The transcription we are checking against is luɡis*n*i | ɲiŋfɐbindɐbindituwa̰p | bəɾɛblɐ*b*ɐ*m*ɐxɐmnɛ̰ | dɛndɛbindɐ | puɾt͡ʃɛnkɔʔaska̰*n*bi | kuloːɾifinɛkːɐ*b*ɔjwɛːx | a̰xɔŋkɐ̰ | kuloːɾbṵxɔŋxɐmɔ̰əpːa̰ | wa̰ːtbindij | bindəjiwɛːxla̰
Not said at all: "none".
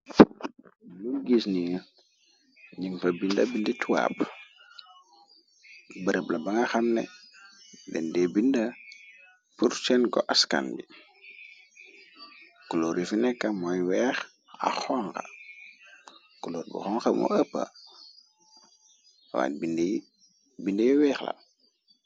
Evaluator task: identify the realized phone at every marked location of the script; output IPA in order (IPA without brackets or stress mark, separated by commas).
n, b, ŋ, n, m